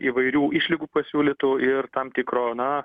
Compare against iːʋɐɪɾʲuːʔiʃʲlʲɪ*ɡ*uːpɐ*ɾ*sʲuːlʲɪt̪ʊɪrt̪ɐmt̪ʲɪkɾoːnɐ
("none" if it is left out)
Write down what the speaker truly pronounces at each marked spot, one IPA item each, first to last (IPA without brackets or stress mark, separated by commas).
ɡ, none